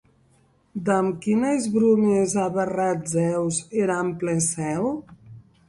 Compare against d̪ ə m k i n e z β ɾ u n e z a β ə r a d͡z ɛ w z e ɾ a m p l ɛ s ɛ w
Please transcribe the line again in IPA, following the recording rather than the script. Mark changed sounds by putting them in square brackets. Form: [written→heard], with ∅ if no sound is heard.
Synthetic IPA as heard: d̪ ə m k i n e z β ɾ u [n→m] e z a β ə r a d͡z ɛ w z e ɾ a m p l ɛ s ɛ w